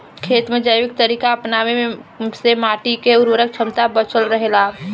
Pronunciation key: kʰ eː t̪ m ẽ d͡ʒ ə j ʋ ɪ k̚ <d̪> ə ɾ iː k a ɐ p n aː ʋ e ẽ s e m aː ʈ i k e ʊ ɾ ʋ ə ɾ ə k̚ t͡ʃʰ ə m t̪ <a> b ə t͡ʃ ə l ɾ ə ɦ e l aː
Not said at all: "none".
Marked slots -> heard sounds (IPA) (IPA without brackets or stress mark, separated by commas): t̪, a